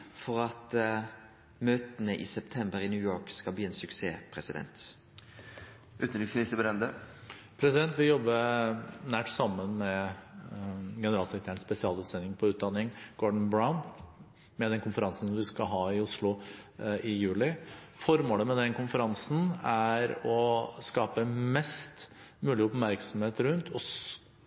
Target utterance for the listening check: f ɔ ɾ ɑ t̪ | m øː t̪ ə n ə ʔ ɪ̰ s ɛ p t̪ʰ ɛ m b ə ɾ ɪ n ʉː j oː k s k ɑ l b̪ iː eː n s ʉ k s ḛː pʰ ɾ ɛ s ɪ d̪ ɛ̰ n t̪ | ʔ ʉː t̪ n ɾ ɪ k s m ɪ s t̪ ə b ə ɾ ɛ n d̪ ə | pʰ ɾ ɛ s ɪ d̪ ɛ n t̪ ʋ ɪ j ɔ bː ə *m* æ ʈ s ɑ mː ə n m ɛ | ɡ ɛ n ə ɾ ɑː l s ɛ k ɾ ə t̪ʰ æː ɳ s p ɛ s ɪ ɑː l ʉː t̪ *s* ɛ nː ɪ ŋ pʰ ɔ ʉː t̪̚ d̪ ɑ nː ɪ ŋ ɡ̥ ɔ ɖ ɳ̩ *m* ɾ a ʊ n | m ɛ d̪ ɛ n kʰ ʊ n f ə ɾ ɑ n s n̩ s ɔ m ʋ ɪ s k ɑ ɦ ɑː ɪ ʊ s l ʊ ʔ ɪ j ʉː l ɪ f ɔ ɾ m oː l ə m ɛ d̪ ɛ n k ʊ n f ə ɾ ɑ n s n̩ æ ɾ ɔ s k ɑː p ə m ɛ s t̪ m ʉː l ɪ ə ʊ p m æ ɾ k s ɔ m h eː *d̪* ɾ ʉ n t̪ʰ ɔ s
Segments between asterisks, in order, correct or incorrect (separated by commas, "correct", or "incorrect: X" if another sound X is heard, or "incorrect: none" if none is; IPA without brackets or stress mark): incorrect: n, correct, incorrect: b, incorrect: t̪